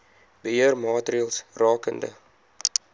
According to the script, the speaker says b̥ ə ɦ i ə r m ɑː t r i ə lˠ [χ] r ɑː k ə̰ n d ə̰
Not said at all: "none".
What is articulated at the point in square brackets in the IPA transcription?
s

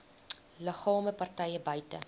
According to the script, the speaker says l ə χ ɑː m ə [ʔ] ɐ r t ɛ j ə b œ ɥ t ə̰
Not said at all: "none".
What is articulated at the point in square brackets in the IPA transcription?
p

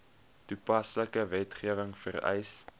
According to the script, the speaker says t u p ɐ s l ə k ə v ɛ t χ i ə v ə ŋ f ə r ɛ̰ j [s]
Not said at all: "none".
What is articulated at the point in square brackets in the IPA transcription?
s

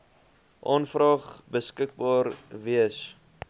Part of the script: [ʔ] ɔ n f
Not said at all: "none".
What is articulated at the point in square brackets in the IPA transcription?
ʔ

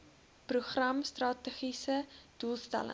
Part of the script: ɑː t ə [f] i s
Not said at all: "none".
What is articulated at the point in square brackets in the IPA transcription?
χ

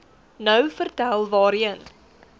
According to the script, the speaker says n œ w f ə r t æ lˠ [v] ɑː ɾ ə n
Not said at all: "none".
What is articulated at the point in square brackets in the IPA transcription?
v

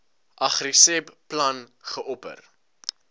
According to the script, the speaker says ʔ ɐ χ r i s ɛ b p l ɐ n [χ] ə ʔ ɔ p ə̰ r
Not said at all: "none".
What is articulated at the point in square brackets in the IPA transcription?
χ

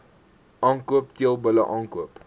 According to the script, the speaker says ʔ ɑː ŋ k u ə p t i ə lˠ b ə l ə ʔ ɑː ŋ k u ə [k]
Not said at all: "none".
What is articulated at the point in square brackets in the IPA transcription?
p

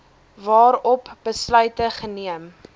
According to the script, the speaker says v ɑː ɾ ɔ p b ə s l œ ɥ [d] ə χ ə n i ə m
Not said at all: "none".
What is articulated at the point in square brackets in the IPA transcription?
t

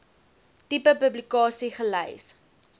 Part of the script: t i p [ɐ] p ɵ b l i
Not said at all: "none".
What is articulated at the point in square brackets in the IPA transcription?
ə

